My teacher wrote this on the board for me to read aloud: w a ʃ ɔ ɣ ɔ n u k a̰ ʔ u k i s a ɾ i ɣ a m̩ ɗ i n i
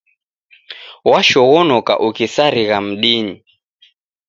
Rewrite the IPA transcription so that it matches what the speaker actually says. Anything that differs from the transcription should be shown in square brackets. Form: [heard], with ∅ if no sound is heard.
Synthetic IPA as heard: w a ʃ ɔ ɣ ɔ n [ɔ] k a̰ ʔ u k i s a ɾ i ɣ a m̩ ɗ i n i